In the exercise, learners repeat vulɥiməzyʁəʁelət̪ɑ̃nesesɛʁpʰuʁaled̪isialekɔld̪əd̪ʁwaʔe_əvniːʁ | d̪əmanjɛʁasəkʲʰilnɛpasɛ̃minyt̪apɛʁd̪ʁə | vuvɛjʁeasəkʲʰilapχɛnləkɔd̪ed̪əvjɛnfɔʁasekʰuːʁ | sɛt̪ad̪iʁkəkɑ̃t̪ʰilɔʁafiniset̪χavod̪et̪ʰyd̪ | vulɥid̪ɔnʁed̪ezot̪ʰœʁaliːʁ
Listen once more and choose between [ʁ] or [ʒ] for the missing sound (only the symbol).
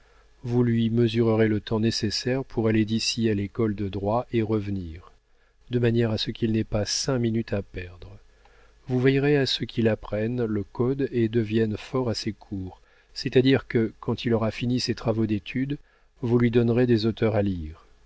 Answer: ʁ